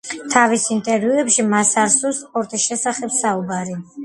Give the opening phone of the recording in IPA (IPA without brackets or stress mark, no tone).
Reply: t̪ʰ